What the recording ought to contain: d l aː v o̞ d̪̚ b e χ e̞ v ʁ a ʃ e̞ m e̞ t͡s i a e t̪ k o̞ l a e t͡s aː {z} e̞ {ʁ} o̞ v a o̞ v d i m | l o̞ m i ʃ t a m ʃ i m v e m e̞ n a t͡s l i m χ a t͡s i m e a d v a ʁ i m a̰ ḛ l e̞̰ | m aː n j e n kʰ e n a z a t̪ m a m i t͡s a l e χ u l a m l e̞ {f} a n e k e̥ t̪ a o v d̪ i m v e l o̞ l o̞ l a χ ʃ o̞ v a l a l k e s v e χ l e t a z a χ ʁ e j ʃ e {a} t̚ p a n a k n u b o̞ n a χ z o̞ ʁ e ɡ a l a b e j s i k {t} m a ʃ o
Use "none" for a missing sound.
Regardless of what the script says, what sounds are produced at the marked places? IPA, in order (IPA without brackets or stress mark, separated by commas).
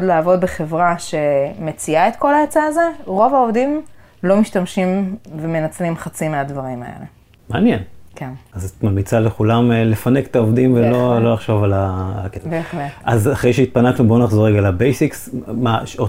z, ʁ, f, i, s